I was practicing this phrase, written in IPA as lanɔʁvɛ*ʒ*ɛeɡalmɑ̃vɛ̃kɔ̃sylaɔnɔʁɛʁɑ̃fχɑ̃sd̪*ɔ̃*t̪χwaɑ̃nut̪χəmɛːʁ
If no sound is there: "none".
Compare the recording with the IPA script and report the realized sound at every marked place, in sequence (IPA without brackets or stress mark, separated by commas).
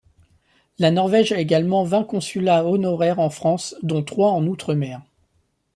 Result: ʒ, ɔ̃